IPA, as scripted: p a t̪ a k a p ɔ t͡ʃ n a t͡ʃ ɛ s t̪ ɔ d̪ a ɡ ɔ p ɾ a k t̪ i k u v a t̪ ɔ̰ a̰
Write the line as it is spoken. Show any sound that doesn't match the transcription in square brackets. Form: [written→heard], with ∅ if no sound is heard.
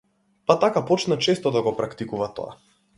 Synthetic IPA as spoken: p a t̪ a k a p ɔ t͡ʃ n a t͡ʃ ɛ s t̪ ɔ d̪ a ɡ ɔ p ɾ a k t̪ i k u v a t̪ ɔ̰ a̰

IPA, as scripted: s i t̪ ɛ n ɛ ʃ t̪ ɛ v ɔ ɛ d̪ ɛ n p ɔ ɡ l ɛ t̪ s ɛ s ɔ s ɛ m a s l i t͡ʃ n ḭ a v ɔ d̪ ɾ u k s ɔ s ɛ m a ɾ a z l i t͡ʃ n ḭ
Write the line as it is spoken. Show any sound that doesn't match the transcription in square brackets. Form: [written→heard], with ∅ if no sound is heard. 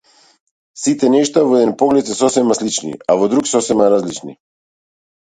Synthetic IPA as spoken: s i t̪ ɛ n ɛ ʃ t̪ [ɛ→a] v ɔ ɛ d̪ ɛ n p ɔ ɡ l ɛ t̪ s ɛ s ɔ s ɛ m a s l i t͡ʃ n ḭ a v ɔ d̪ ɾ u k s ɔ s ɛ m a ɾ a z l i t͡ʃ n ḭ

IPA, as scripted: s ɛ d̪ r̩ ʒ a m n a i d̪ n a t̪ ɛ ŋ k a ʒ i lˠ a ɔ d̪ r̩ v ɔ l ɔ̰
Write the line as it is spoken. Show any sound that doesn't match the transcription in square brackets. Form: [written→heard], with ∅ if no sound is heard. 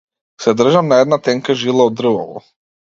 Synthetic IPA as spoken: s ɛ d̪ r̩ ʒ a m n a [i→ɛ] d̪ n a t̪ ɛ ŋ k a ʒ i lˠ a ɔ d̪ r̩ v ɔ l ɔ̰

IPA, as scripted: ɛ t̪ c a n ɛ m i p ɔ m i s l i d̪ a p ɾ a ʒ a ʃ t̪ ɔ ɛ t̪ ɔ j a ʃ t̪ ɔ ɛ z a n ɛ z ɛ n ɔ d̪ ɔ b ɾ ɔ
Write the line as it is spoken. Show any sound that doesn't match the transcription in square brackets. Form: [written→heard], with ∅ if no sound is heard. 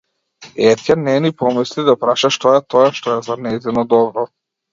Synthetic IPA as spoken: ɛ t̪ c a n ɛ [m→n] i p ɔ m i s l i d̪ a p ɾ a [ʒ→ʃ] a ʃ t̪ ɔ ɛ t̪ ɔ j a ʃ t̪ ɔ ɛ z a n ɛ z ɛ n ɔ d̪ ɔ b ɾ ɔ

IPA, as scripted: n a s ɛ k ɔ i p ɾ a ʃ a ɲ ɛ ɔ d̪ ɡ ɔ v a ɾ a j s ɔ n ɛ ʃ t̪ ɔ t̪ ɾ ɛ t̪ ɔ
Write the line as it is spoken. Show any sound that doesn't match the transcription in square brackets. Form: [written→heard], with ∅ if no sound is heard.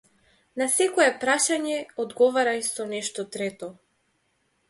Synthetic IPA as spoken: n a s ɛ k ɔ [i→ɛ] p ɾ a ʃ a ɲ ɛ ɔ d̪ ɡ ɔ v a ɾ a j s ɔ n ɛ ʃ t̪ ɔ t̪ ɾ ɛ t̪ ɔ

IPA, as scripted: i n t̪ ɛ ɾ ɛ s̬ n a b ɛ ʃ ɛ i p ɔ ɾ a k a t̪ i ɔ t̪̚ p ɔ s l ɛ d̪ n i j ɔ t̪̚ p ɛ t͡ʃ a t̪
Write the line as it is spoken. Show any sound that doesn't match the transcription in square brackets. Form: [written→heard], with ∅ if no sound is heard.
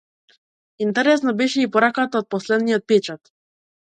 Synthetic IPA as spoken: i n t̪ ɛ ɾ ɛ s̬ n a b ɛ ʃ ɛ i p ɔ ɾ a k a t̪ [i→a] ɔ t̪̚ p ɔ s l ɛ d̪ n i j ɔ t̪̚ p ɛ t͡ʃ a t̪

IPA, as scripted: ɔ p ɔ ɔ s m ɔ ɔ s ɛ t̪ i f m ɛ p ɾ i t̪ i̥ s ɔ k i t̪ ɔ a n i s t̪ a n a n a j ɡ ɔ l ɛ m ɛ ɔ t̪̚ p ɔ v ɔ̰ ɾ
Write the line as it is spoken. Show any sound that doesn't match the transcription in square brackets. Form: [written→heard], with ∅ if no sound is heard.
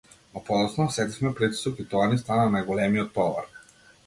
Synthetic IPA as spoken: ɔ p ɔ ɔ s [m→n] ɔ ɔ s ɛ t̪ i f m ɛ p ɾ i t̪ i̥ s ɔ k i t̪ ɔ a n i s t̪ a n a n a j ɡ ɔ l ɛ m [ɛ→i] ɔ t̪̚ p ɔ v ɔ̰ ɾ

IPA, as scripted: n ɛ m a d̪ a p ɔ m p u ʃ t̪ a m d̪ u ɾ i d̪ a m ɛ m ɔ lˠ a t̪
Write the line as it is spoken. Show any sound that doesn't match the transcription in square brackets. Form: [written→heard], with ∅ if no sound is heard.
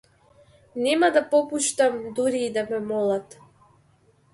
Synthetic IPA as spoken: n ɛ m a d̪ a p ɔ [m→∅] p u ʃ t̪ a m d̪ u ɾ [i→iː] d̪ a m ɛ m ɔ lˠ a t̪

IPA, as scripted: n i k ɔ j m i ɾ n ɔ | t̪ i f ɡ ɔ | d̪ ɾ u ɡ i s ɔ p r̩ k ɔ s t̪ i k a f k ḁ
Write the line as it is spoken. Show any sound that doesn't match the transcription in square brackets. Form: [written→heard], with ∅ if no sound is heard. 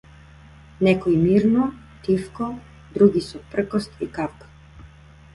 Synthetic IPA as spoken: n [i→ɛ] k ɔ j m i ɾ n ɔ | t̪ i f [ɡ→k] ɔ | d̪ ɾ u ɡ i s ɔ p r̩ k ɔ s t̪ i k a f k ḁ

